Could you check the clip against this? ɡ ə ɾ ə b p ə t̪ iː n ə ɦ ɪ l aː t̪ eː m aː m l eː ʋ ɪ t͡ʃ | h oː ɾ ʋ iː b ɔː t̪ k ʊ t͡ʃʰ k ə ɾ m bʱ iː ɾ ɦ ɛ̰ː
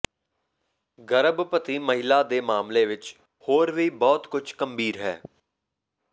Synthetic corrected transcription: ɡ ə ɾ ə b p ə t̪ iː m ə ɦ ɪ l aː d̪ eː m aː m l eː ʋ ɪ t͡ʃ | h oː ɾ ʋ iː b ɔː t̪ k ʊ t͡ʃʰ k ə m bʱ iː ɾ ɦ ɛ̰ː

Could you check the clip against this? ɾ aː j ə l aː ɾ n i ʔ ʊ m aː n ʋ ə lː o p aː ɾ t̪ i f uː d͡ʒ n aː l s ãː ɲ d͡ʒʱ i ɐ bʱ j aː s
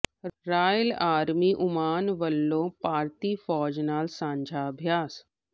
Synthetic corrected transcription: ɾ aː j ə l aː ɾ m i ʔ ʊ m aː n ʋ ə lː o p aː ɾ t̪ i f ɔː d͡ʒ n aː l s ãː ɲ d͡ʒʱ a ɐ bʱ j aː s

